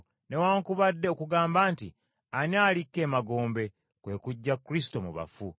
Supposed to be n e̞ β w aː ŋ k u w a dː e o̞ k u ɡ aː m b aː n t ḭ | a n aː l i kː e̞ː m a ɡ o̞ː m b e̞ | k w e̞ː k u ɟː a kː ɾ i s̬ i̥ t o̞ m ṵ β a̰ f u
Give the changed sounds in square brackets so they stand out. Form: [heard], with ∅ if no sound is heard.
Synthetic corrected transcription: n e̞ [∅] w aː ŋ k u [β] a dː e o̞ k u ɡ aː m b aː n t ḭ | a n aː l i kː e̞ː m a ɡ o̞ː m b e̞ | k w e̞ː k u ɟː a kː ɾ i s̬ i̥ t o̞ m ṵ β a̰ f u